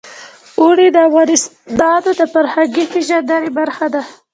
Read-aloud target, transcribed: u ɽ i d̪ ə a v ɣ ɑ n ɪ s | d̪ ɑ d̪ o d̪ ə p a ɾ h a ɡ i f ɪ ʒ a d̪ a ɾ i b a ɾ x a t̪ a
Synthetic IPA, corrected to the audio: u ɽ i d̪ ə a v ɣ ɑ n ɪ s | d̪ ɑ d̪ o d̪ ə p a ɾ h a ɡ i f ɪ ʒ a d̪ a ɾ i b a ɾ x a d̪ a